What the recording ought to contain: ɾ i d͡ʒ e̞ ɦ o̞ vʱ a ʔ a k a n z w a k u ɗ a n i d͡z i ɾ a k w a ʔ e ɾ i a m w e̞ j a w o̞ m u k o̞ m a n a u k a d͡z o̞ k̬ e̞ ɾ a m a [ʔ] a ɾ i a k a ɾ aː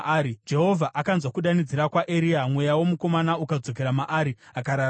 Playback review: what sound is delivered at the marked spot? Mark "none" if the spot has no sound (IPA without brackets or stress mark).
ʔ